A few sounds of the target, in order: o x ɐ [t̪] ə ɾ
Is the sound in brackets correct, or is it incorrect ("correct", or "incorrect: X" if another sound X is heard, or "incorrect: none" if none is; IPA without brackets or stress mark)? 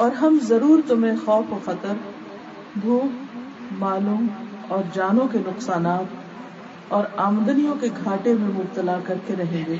correct